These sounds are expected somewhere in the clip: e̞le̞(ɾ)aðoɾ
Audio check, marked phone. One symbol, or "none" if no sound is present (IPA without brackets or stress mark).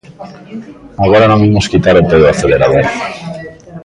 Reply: ɾ